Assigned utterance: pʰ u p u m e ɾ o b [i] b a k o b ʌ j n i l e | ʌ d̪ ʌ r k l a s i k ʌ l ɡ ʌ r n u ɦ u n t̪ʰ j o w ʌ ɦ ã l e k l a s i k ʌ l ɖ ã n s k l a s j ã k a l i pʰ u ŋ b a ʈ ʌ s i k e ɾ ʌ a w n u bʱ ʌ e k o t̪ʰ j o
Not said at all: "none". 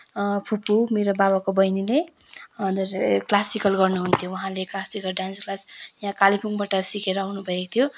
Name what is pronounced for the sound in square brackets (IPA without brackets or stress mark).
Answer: a